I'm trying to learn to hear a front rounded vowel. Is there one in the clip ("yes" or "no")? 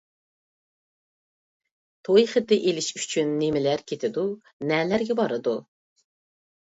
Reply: yes